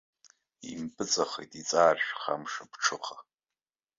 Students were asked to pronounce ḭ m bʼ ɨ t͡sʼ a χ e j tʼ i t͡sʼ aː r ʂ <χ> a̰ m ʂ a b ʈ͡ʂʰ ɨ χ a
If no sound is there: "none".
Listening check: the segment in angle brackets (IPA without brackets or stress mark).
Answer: χ